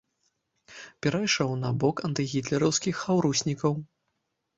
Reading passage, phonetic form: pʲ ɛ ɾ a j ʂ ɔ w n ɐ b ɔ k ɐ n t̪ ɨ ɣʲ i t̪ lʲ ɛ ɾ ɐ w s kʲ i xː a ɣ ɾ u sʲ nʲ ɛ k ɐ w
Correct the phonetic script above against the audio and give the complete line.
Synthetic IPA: pʲ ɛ ɾ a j ʂ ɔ w n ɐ b ɔ k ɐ n t̪ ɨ ɣʲ i t̪ lʲ ɛ ɾ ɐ w s kʲ i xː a w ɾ u sʲ nʲ i k ɐ w

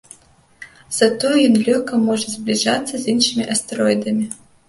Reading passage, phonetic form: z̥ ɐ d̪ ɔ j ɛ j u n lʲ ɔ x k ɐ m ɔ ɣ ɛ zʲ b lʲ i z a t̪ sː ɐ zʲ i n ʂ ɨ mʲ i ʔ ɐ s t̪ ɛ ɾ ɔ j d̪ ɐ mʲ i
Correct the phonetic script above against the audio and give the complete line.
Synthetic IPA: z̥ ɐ t̪ ɔ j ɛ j ɔ n lʲ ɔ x k ɐ m ɔ ʐ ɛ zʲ b lʲ i ʐ a t̪ sː ɐ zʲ i n ʂ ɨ mʲ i ʔ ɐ s t̪ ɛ ɾ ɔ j d̪ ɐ mʲ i

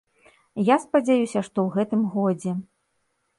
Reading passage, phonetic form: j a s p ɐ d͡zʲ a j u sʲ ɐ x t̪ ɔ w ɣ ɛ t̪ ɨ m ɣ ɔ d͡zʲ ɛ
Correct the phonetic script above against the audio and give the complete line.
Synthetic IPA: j a s p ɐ d͡zʲ a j u sʲ ɐ ʂ t̪ ɔ w ɣ ɛ t̪ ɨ m ɣ ɔ d͡zʲ ɛ

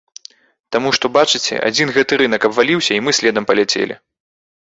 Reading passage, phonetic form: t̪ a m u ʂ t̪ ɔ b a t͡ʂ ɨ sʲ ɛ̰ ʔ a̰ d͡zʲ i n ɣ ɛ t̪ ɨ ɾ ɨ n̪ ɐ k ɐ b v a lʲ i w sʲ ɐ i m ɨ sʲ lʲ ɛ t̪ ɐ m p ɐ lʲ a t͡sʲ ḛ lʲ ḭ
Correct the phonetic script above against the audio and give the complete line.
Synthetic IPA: t̪ a m u ʂ t̪ ɔ b a t͡ʂ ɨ t͡sʲ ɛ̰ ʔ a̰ d͡zʲ i n ɣ ɛ t̪ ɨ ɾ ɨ n̪ ɐ k ɐ b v a lʲ i w sʲ ɐ i m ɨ sʲ lʲ ɛ d̪ ɐ m p ɐ lʲ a t͡sʲ ḛ lʲ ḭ

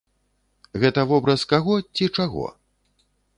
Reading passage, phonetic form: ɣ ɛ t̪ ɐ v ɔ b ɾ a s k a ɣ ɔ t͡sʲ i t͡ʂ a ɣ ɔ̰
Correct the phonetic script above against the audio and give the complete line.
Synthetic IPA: ɣ ɛ t̪ ɐ v ɔ b ɾ ɐ s k a ɣ ɔ t͡sʲ i t͡ʂ a ɣ ɔ̰

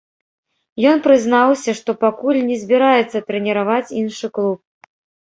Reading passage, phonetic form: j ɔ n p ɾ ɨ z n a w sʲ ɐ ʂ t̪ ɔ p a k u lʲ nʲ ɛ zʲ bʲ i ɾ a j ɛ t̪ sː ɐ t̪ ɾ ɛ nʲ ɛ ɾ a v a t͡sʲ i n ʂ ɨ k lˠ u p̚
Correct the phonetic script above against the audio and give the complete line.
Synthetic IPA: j ɔ n p ɾ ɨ z n a w sʲ ɐ ʂ t̪ ɔ p a k u lʲ nʲ ɛ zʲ bʲ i ɾ a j ɛ t̪ sː ɐ t̪ ɾ ɛ nʲ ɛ ɾ a v a t͡sʲ i n ʂ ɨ k lˠ u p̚

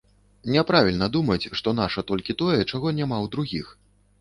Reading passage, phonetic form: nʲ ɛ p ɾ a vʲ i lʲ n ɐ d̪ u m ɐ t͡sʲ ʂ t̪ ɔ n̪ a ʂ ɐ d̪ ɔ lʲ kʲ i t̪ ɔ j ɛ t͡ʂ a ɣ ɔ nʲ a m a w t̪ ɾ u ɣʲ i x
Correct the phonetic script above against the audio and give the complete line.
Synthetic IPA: nʲ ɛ p ɾ a vʲ i lʲ n ɐ d̪ u m ɐ t͡sʲ ʂ t̪ ɔ n̪ a ʂ ɐ t̪ ɔ lʲ kʲ i t̪ ɔ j ɛ t͡ʂ a ɣ ɔ nʲ a m a w d̪ ɾ u ɣʲ i x

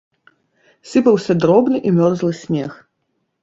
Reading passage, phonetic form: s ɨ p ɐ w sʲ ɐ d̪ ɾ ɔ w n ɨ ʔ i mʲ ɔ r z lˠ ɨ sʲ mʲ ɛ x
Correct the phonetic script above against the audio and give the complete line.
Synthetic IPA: s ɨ p ɐ w sʲ ɐ d̪ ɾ ɔ b n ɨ ʔ i mʲ ɔ r z lˠ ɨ sʲ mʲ ɛ x

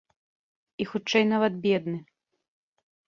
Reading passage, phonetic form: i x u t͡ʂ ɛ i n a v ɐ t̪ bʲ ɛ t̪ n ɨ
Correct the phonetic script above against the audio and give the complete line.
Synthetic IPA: i x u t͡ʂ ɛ j n a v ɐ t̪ bʲ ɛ d̪ n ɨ

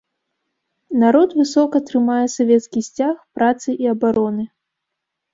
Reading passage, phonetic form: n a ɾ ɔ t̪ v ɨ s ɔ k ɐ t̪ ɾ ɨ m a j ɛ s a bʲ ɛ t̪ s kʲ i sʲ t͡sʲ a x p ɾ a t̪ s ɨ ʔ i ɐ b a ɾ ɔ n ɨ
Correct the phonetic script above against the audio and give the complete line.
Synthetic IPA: n a ɾ ɔ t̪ v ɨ s ɔ k ɐ t̪ ɾ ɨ m a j ɛ s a vʲ ɛ t̪ s kʲ i sʲ t͡sʲ a x p ɾ a t̪ s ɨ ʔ i ɐ b a ɾ ɔ n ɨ

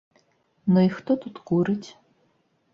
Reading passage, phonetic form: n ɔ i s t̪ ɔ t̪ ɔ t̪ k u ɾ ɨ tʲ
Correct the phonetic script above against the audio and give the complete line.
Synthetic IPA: n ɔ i x t̪ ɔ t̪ u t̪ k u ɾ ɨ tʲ

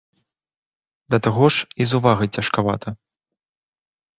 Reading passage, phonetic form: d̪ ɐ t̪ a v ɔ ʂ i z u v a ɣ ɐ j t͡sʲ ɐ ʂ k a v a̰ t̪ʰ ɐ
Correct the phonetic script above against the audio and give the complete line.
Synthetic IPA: d̪ ɐ t̪ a ɣ ɔ ʂ i z u v a ɣ ɐ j t͡sʲ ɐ ʂ k a v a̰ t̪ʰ ɐ

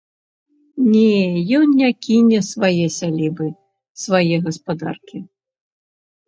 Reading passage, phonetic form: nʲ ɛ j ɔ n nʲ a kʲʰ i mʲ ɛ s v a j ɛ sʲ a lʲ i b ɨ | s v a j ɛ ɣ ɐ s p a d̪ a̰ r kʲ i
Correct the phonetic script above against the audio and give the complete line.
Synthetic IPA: nʲ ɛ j ɔ n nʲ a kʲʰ i nʲ ɛ s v a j ɛ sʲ a lʲ i b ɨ | s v a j ɛ ɣ ɐ s p a d̪ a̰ r kʲ i

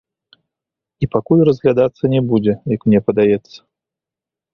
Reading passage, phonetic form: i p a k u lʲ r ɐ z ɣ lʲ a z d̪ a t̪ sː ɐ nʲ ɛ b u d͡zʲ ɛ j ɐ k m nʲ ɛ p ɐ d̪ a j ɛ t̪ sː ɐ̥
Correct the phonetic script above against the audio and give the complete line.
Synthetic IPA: i p a k u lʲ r ɐ z ɣ lʲ a d̪ a t̪ sː ɐ nʲ ɛ b u d͡zʲ ɛ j ɐ k m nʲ ɛ p ɐ d̪ a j ɛ t̪ sː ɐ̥

